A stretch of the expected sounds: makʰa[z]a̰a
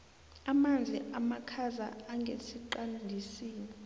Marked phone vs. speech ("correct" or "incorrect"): correct